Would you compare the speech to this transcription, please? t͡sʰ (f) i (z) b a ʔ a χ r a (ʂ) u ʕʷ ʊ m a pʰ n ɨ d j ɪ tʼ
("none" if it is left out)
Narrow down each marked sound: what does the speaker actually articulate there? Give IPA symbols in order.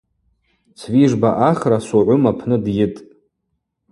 v, ʐ, s

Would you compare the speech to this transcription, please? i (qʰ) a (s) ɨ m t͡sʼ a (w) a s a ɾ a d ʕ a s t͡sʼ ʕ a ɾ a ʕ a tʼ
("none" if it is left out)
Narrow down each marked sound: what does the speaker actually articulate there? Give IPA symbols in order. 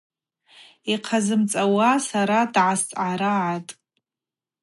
qʰ, z, w

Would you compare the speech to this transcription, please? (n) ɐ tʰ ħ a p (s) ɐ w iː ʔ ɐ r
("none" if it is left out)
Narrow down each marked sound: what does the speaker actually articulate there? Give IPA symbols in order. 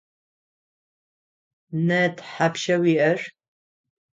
n, ʃ

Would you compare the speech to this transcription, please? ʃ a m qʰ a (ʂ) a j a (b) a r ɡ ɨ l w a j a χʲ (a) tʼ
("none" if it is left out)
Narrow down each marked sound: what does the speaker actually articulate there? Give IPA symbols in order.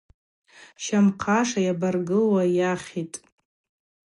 ʂ, b, i

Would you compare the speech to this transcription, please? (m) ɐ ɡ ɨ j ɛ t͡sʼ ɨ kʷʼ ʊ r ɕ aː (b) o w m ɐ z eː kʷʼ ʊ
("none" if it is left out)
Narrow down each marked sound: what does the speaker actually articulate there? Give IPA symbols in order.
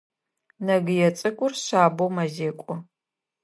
n, b

